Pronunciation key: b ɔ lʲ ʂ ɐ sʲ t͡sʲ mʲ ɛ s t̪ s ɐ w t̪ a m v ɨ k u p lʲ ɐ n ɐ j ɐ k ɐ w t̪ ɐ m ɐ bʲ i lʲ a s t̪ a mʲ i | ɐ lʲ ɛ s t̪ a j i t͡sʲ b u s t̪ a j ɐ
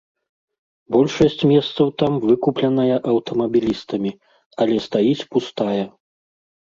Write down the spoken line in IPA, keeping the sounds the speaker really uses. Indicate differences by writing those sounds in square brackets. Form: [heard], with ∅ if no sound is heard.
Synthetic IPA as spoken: b ɔ lʲ ʂ ɐ sʲ t͡sʲ mʲ ɛ s t̪ s ɐ w t̪ a m v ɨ k u p lʲ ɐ n ɐ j ɐ [ʔ] ɐ w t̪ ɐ m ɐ bʲ i lʲ [i] s t̪ [ɐ] mʲ i | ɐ lʲ ɛ s t̪ a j i t͡sʲ [p] u s t̪ a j ɐ